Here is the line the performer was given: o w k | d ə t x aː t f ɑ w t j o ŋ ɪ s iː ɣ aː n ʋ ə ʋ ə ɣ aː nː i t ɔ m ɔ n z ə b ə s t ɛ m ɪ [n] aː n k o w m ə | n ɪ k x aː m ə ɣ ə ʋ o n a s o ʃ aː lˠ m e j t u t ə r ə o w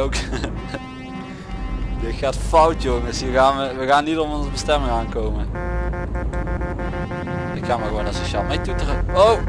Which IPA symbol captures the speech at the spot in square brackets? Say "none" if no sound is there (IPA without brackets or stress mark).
ŋ